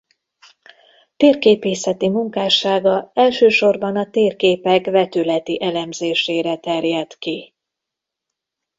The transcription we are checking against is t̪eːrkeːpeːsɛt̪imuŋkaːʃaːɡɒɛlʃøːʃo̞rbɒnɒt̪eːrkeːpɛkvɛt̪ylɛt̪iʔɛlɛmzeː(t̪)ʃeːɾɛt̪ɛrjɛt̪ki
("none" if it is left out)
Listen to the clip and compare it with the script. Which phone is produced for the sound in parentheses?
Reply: none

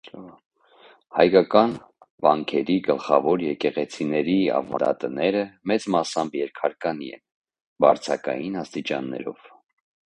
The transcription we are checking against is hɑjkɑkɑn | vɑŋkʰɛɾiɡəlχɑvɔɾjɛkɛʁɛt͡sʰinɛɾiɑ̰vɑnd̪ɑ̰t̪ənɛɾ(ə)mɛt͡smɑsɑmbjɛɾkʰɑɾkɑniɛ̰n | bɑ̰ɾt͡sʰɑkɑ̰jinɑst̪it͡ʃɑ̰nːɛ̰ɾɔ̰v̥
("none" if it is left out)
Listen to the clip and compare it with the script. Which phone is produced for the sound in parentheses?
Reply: ə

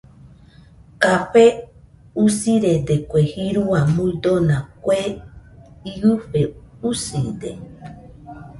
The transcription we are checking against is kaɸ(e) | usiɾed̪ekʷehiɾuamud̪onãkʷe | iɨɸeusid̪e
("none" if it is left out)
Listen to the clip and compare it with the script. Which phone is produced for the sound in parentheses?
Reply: e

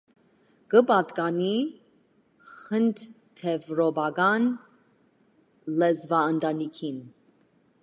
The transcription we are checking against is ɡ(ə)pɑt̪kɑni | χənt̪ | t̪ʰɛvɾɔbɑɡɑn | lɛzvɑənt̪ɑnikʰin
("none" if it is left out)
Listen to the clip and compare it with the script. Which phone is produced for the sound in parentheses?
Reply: ə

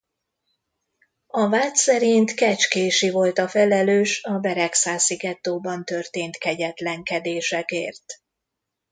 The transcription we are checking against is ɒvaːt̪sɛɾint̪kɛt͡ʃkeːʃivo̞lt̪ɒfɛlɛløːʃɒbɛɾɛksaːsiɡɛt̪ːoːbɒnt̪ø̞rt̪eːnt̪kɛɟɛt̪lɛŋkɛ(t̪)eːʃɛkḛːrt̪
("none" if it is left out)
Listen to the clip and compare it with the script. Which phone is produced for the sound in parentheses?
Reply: d̪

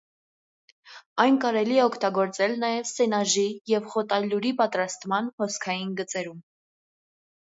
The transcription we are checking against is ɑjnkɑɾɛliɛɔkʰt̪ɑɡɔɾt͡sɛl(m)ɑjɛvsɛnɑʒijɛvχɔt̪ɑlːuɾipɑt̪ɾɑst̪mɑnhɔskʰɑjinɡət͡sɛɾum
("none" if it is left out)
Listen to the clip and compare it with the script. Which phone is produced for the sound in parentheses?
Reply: n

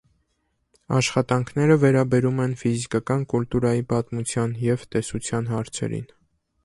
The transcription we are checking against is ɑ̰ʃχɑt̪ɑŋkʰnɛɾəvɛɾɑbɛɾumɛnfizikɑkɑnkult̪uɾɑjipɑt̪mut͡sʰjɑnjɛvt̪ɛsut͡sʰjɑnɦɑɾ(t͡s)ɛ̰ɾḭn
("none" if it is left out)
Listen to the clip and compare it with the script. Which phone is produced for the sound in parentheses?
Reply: t͡sʰ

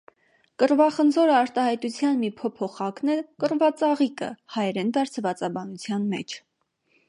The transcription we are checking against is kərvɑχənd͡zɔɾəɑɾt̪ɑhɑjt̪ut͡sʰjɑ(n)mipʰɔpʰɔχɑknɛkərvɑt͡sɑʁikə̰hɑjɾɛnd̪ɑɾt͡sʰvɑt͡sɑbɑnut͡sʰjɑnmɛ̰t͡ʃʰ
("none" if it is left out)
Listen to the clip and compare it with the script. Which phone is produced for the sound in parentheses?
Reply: n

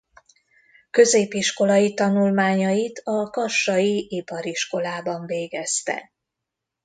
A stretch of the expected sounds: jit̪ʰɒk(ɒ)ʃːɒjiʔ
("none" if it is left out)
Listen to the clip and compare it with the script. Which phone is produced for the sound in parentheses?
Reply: ɒ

